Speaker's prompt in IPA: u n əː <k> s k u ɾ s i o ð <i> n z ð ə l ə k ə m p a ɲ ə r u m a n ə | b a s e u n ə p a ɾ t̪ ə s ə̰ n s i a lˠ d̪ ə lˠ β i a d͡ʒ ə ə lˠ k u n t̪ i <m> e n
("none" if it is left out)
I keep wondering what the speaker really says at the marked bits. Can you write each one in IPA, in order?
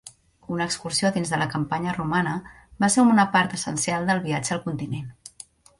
k, i, n

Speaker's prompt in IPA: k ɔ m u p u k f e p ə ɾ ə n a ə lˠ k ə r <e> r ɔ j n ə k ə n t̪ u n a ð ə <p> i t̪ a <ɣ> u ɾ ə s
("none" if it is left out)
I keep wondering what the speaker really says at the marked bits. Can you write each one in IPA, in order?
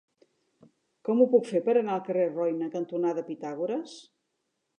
e, p, ɣ

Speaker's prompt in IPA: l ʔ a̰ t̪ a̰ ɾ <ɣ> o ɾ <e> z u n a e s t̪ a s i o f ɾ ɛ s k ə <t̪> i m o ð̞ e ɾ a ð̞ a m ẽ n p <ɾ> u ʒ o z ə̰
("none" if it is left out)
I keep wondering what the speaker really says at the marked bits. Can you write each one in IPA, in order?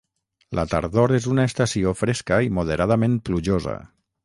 ð, e, none, l

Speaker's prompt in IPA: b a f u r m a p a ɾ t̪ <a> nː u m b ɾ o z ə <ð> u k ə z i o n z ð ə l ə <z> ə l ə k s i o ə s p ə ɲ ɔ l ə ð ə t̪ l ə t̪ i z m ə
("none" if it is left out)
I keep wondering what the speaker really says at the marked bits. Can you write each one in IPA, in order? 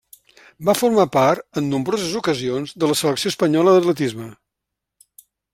ə, z, s

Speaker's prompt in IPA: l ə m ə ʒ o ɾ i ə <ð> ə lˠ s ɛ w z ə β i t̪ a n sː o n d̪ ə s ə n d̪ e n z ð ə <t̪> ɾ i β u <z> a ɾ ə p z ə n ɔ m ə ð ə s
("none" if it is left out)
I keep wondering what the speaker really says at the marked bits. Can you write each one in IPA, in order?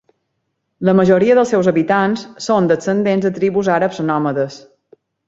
ð, t̪, z

